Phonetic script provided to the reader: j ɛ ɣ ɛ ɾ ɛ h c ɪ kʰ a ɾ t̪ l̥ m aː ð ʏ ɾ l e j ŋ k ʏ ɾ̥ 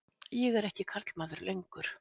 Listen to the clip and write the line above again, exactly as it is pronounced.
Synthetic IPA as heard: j ɛ ɣ ɛ ɾ ɛ h c ɪ kʰ a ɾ t̪ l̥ m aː ð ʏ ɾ l e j ŋ k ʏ ɾ̥